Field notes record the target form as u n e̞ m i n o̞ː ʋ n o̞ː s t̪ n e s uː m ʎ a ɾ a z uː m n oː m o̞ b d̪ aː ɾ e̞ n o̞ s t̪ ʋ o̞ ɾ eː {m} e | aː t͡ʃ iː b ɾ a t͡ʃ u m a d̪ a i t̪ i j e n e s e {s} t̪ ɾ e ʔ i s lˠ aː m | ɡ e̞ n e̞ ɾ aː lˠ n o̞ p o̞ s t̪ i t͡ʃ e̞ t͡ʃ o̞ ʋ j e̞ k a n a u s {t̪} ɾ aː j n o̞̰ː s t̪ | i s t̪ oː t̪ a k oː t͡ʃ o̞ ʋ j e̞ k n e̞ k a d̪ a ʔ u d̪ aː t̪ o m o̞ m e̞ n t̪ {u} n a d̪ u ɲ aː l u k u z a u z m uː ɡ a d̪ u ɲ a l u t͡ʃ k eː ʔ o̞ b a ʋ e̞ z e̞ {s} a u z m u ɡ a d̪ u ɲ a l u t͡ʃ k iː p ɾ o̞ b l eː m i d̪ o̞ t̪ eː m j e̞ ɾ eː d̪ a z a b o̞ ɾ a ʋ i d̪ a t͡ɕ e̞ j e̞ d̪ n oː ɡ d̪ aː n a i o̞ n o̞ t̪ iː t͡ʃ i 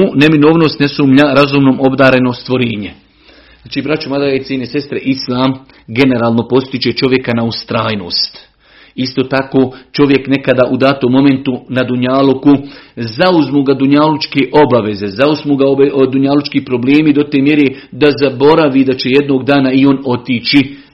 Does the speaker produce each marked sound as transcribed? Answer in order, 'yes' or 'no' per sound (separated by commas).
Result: no, yes, yes, yes, no